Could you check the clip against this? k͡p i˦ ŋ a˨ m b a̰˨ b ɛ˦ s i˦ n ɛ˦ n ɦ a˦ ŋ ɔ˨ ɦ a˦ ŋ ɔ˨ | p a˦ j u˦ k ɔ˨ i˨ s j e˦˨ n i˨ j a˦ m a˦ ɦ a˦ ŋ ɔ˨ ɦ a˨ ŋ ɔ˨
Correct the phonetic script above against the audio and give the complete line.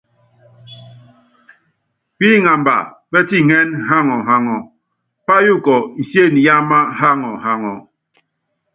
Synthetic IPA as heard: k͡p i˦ ŋ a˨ m b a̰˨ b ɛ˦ t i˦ ŋ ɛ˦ n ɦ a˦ ŋ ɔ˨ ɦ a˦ ŋ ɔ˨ | p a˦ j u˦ k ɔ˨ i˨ s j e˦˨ n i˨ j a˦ m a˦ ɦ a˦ ŋ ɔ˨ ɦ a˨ ŋ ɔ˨